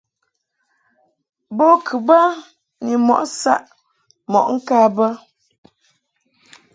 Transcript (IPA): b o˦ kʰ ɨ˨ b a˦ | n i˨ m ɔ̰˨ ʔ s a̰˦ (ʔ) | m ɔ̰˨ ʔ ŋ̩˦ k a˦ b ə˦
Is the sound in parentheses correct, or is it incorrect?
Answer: correct